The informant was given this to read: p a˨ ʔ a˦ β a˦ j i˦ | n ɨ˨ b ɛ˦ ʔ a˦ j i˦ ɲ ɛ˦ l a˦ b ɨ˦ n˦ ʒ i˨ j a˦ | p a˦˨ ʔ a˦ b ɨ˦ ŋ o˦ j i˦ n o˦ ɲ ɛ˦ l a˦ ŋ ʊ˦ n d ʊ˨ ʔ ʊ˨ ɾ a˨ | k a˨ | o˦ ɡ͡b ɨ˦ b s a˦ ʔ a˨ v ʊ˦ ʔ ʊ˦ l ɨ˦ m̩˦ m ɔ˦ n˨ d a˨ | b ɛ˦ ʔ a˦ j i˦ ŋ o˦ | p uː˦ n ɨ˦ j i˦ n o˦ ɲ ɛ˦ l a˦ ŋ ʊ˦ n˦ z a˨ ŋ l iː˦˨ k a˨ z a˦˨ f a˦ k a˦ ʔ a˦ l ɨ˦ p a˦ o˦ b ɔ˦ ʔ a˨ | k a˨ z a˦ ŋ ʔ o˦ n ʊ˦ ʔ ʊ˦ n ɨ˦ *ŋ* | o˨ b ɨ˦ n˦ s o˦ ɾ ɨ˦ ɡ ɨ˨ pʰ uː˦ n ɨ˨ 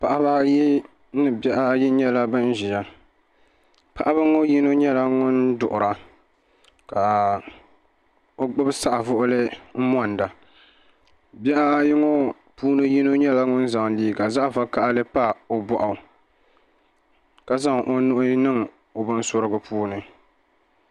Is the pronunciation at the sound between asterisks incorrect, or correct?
correct